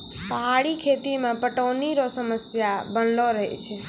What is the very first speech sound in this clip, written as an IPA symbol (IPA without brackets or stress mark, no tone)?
p